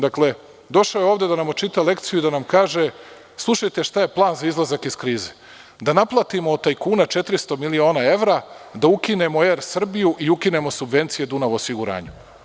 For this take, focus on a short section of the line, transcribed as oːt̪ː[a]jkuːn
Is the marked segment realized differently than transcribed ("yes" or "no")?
no